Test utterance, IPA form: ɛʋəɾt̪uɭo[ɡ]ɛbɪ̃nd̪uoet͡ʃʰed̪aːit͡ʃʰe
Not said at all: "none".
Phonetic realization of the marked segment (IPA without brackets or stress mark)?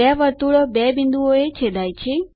b